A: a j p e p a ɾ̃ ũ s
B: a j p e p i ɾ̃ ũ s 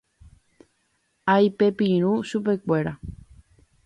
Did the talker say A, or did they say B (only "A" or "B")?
B